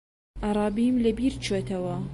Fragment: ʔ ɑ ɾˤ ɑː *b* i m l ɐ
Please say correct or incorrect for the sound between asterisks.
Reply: correct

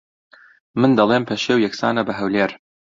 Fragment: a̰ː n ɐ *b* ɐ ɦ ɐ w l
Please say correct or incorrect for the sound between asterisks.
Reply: correct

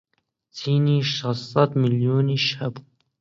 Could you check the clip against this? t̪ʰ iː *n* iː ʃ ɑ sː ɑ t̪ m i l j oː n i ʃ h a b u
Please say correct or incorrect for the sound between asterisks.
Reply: correct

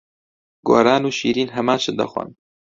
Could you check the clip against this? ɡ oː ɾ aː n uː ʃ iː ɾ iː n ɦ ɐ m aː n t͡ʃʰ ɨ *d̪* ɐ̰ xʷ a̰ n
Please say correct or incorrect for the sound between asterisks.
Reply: correct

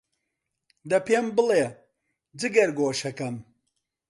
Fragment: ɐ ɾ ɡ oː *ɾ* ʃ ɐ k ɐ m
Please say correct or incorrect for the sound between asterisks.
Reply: incorrect: none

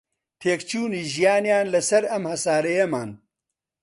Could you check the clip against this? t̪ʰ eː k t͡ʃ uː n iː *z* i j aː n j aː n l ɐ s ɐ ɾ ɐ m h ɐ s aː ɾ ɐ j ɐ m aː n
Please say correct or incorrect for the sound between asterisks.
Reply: incorrect: ʒ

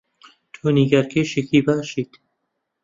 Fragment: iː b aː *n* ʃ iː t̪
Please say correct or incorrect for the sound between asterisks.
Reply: incorrect: none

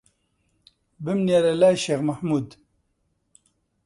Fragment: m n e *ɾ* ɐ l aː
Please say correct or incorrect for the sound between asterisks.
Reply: correct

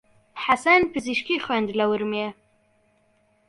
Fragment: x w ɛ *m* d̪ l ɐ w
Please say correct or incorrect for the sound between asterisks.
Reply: incorrect: n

